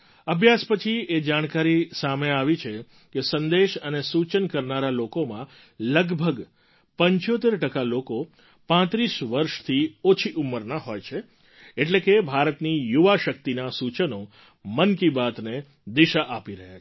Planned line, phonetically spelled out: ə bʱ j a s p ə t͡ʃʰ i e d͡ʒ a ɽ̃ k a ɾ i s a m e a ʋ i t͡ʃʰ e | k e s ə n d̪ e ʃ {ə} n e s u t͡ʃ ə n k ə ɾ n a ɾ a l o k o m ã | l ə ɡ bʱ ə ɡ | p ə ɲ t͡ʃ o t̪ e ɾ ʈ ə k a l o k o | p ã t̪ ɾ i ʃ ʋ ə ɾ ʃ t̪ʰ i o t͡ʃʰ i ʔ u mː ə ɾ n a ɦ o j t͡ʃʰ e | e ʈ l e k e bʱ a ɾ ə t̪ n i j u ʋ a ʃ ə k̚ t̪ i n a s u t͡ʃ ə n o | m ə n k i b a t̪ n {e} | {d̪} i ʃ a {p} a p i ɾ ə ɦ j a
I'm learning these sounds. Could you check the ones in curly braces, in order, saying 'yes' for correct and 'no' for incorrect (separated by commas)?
yes, yes, yes, no